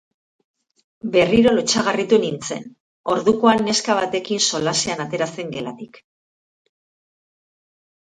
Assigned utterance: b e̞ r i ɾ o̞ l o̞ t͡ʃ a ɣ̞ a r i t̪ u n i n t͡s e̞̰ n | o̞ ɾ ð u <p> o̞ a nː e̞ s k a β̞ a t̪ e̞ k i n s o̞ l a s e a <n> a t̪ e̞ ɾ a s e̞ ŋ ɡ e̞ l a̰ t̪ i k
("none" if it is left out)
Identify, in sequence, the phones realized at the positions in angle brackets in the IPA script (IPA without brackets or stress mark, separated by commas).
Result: k, n